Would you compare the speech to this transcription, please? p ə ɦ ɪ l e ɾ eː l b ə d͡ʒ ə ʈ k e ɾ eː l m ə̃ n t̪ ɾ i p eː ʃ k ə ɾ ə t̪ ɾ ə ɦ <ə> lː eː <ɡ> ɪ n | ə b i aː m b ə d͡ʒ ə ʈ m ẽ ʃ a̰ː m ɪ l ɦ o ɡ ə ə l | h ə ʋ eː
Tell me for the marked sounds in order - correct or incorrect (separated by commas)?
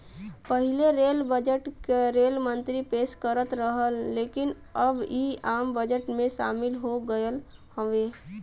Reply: correct, incorrect